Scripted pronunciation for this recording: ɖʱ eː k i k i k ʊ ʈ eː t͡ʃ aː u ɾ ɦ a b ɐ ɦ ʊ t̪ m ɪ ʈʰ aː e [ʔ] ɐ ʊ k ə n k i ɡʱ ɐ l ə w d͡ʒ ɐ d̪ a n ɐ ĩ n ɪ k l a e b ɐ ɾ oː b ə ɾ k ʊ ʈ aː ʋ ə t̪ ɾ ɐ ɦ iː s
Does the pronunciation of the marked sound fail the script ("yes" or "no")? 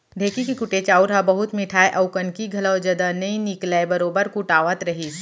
no